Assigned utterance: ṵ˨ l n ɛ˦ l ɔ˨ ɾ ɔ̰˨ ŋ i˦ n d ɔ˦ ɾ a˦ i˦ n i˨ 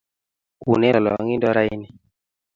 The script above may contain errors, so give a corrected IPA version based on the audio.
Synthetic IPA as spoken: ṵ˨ n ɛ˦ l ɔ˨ l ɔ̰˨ ŋ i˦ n d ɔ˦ ɾ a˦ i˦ n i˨